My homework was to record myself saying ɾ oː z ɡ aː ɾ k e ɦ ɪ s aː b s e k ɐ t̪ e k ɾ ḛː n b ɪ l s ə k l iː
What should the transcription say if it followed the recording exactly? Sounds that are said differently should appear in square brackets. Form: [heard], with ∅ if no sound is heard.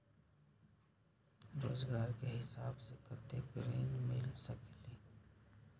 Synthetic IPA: ɾ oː z ɡ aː ɾ k e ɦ ɪ s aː b s e k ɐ t̪ e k ɾ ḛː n [m] ɪ l s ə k l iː